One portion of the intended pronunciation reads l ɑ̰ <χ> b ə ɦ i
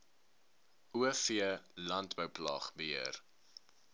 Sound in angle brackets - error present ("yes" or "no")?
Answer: no